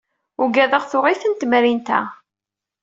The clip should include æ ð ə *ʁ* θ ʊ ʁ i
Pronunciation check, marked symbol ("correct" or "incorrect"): correct